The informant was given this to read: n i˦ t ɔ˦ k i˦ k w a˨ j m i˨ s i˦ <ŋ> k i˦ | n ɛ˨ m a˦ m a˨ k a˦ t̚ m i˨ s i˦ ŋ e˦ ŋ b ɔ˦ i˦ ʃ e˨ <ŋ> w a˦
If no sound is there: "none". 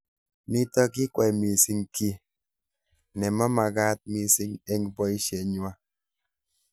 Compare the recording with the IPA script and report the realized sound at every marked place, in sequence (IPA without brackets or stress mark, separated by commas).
ŋ, ɲ